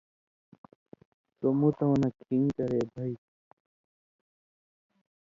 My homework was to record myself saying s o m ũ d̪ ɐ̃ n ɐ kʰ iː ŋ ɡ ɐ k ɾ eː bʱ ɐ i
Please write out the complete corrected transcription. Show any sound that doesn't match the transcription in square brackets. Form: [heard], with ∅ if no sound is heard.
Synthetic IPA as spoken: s o m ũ [t̪] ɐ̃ n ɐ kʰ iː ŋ [k] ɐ [∅] ɾ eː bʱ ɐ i